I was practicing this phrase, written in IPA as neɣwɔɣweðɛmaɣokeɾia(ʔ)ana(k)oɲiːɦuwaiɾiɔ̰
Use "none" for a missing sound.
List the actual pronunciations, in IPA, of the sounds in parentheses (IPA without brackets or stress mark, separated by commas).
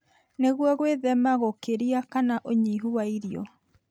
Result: k, ʔ